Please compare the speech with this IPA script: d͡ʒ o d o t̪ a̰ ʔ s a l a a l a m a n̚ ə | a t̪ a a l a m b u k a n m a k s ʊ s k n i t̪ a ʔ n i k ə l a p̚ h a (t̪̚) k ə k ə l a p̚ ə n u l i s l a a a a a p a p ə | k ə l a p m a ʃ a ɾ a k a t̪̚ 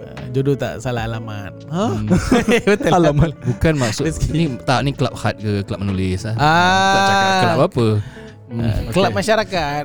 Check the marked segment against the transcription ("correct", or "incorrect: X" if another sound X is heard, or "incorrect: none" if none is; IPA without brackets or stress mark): correct